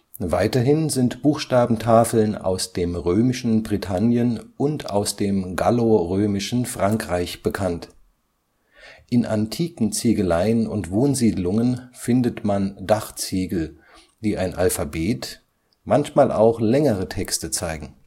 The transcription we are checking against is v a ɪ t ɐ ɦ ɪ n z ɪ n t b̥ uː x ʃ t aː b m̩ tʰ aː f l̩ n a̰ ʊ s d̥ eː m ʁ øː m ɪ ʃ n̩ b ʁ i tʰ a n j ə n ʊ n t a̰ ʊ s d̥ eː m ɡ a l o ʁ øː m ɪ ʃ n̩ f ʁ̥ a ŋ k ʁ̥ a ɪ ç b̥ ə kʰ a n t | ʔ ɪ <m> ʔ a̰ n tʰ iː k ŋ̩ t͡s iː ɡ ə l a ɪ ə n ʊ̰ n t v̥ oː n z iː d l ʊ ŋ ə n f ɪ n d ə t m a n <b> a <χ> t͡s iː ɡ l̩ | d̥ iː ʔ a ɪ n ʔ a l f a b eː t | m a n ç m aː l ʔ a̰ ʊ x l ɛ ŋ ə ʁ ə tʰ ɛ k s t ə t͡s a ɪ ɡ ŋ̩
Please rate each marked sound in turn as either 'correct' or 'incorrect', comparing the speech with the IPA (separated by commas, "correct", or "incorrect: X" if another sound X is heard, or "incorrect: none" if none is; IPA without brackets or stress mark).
incorrect: n, incorrect: d, correct